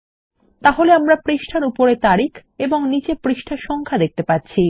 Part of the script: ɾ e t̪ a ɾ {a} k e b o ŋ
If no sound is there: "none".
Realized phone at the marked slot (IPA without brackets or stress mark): i